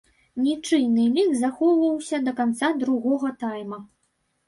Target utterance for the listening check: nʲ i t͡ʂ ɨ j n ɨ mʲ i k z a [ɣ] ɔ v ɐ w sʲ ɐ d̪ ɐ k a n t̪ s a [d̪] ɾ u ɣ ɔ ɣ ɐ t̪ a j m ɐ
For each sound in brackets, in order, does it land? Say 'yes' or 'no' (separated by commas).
no, yes